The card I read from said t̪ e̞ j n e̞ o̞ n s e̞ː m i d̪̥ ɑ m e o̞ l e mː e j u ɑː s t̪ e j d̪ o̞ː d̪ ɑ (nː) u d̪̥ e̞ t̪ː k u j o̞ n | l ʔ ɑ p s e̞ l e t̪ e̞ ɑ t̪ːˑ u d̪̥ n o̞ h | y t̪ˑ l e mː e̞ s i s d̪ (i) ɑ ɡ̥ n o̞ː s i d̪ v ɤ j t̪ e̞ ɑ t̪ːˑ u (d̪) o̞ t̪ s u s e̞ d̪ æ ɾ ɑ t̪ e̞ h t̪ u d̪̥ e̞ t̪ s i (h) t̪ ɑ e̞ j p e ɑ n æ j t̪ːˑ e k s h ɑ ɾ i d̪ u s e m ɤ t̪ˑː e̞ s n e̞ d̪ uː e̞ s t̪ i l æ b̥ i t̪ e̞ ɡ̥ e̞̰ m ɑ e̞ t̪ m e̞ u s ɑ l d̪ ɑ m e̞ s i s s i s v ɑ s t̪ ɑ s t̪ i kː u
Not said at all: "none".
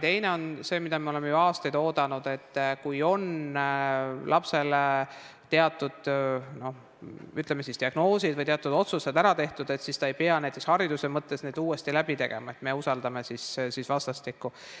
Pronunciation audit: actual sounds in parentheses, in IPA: n, i, d̪, s

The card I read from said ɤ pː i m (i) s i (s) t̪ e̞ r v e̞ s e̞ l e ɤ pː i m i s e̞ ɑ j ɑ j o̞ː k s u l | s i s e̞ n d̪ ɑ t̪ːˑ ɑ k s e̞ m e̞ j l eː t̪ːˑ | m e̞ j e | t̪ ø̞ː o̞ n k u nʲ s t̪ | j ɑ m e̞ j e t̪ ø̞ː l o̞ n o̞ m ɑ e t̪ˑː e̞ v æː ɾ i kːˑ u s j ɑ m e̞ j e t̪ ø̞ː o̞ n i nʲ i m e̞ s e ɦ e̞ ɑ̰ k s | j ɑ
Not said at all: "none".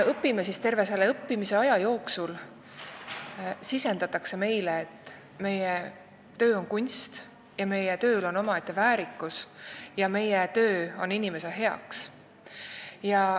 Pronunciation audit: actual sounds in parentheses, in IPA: e, s

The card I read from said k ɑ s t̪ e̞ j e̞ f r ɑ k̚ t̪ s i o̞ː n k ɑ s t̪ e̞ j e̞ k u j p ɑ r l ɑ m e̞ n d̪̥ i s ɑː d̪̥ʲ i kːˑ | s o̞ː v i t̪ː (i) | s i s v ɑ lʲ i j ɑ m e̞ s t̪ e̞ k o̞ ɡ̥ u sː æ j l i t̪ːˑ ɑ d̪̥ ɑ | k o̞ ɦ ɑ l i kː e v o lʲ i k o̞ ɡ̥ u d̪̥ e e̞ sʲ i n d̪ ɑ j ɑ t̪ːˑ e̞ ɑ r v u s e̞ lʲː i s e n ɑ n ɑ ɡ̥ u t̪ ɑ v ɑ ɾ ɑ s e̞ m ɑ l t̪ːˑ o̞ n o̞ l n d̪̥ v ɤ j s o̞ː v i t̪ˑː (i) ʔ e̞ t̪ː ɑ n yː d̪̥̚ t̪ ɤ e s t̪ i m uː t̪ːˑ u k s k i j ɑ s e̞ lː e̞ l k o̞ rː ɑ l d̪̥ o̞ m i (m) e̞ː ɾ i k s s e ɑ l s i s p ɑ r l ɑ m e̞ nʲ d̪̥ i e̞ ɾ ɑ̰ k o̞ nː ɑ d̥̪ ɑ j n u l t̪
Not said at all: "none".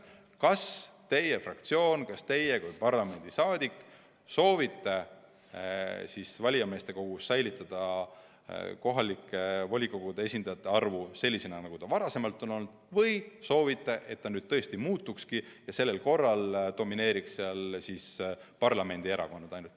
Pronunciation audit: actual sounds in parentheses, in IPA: e, e, n

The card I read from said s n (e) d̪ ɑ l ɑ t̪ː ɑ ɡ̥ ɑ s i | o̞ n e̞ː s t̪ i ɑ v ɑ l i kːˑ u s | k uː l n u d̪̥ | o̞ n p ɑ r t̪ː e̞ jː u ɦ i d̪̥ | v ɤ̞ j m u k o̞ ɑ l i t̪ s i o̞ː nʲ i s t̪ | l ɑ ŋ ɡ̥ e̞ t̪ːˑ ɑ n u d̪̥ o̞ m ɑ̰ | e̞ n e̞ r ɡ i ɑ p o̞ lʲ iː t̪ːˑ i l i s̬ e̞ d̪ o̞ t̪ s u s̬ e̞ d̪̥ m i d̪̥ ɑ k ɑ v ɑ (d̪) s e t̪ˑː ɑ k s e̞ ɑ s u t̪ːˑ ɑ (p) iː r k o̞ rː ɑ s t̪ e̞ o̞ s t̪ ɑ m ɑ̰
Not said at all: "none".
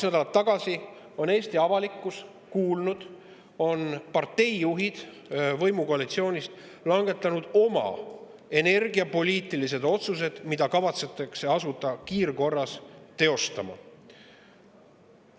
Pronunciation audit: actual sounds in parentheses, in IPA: æ, t̪, k

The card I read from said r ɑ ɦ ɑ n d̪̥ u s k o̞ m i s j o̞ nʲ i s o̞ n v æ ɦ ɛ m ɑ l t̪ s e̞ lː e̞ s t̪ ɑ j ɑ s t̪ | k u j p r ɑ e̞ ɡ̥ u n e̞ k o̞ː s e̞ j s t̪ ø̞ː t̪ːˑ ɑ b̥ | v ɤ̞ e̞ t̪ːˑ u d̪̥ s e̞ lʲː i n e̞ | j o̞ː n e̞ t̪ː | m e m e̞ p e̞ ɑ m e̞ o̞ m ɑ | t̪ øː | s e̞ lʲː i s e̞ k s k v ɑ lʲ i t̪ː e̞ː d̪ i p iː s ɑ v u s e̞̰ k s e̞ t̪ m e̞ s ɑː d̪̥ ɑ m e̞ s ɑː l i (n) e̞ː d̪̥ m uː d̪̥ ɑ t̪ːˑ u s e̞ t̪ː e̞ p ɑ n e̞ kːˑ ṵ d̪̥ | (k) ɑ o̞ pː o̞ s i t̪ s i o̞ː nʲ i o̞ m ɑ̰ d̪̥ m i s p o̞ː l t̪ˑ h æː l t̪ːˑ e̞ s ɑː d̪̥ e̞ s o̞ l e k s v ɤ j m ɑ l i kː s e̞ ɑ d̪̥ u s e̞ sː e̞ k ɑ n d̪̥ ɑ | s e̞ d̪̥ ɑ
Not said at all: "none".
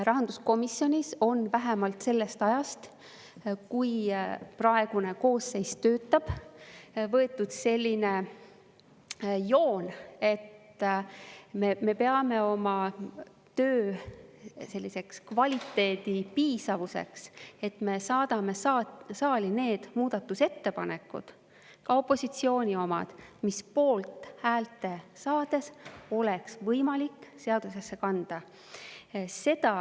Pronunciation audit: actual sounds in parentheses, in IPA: n, k

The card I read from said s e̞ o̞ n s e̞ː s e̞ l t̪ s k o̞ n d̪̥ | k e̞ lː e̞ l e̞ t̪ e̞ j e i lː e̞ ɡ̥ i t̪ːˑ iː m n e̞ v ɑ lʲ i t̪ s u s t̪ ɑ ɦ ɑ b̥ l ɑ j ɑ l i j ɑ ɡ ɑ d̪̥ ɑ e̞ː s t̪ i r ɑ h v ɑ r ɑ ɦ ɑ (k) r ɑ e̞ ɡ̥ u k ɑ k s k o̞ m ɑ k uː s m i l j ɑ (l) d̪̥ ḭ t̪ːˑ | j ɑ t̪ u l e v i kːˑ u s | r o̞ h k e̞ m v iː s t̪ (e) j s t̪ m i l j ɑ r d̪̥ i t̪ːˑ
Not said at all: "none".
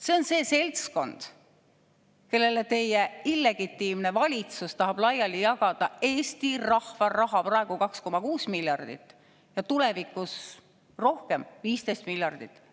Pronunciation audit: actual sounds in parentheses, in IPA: p, r, e

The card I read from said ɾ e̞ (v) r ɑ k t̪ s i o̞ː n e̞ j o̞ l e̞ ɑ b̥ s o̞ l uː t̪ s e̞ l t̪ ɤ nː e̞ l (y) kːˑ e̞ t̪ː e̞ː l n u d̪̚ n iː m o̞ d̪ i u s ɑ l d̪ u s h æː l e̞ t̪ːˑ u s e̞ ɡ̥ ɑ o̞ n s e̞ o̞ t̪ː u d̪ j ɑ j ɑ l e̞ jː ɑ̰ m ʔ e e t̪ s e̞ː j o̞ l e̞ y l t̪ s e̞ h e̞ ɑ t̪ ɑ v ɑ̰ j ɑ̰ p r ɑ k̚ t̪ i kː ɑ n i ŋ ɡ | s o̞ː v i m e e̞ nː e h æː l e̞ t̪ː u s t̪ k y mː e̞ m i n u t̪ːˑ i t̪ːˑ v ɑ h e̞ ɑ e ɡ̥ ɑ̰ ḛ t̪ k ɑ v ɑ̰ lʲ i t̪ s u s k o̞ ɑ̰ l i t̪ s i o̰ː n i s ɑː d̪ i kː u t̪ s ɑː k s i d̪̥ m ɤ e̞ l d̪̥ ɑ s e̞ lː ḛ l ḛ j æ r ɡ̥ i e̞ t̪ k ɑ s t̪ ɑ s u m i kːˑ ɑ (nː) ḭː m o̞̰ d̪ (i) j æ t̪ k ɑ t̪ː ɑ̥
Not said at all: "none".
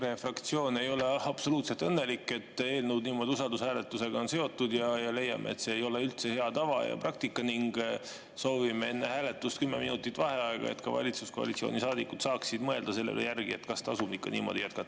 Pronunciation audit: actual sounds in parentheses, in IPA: f, i, n, i

